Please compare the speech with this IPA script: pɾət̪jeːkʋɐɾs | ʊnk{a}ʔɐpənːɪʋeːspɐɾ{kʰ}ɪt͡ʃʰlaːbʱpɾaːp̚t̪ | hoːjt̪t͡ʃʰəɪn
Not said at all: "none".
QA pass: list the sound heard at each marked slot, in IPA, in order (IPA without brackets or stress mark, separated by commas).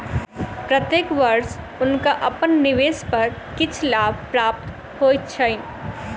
a, k